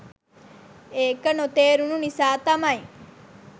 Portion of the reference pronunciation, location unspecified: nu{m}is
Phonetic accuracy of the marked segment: incorrect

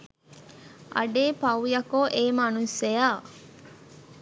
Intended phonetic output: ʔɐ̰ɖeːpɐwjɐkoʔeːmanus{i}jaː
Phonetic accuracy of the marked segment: incorrect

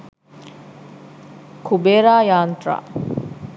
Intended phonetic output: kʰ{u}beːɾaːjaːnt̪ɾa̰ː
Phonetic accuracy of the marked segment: correct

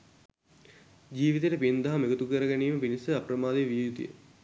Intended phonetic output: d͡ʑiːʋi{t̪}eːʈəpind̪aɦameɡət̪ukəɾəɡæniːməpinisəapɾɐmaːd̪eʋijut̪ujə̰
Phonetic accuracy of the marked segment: correct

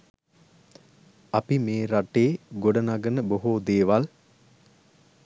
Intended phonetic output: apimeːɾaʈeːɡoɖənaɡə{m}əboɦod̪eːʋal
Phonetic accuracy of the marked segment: incorrect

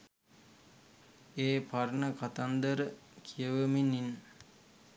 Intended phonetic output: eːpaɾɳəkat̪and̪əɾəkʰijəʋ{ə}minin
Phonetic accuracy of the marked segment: correct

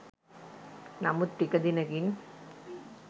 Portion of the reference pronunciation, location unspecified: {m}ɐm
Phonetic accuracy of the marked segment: incorrect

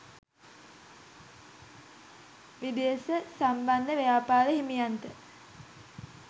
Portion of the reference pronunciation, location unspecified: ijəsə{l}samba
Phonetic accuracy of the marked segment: incorrect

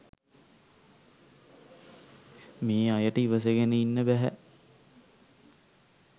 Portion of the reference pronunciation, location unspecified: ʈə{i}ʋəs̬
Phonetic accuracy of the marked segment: correct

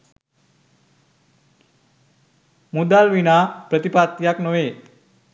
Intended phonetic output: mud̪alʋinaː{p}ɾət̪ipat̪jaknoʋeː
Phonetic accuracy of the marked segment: correct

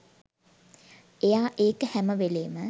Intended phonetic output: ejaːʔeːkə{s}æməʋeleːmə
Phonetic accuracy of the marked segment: incorrect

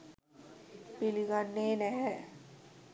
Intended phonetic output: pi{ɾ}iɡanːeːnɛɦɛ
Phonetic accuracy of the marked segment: incorrect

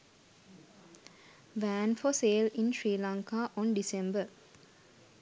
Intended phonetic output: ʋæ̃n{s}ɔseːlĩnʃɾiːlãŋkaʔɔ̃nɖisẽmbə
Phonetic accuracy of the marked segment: incorrect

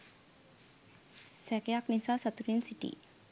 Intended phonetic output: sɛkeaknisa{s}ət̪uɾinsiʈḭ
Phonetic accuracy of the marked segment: correct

